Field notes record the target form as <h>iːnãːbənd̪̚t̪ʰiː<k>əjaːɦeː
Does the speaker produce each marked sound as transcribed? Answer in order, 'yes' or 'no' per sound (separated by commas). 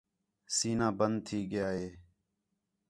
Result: no, no